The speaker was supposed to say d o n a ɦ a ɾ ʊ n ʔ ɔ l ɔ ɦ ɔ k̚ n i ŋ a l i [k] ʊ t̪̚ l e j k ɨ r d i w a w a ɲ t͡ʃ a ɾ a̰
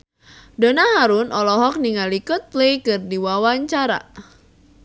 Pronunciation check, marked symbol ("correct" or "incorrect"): correct